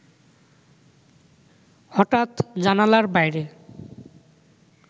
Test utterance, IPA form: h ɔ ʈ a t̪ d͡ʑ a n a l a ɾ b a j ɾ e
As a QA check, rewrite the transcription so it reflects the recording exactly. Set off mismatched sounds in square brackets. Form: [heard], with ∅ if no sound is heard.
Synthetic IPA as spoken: h ɔ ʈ a t̪ d͡ʑ a n a l a ɾ b a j ɾ e